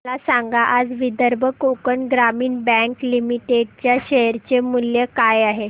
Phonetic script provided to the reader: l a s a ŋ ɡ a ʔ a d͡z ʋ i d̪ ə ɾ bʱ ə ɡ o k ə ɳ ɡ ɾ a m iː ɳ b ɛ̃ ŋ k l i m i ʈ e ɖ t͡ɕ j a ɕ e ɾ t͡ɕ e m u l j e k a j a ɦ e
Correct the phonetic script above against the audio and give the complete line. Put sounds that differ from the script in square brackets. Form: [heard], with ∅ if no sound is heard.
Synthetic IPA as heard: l a s a ŋ ɡ a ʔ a d͡z ʋ i d̪ ə ɾ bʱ ə [k] o k ə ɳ ɡ ɾ a m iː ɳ b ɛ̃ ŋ k l i m i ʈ e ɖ t͡ɕ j a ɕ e ɾ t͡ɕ e m u l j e k a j a ɦ e